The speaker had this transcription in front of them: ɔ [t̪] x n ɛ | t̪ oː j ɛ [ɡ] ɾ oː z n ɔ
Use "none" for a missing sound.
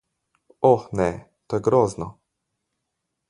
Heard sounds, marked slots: none, ɡ

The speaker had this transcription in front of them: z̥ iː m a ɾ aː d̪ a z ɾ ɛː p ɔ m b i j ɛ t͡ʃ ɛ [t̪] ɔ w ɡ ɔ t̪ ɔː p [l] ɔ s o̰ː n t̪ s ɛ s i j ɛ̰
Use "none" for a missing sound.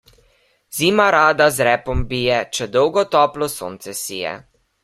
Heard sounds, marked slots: d̪, l

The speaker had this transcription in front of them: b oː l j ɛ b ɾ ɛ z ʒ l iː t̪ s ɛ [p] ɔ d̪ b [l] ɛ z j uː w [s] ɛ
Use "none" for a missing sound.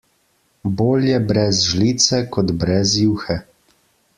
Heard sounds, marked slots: k, ɾ, x

